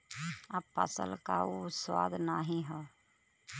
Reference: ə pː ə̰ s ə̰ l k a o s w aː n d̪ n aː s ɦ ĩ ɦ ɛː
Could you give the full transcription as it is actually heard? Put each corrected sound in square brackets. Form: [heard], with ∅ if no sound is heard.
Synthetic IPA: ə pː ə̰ s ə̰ l k a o s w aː [∅] d̪ n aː [∅] ɦ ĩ ɦ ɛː